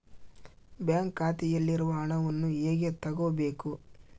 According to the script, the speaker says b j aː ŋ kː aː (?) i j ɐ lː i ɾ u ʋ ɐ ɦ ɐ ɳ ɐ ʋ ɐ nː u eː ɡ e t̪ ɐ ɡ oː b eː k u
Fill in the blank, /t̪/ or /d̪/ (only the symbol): t̪